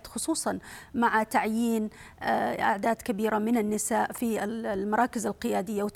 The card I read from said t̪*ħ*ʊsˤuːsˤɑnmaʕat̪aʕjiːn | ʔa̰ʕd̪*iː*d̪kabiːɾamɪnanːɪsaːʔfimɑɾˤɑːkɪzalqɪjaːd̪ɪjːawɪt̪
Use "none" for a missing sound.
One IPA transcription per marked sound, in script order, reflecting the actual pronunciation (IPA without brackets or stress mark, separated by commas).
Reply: x, aː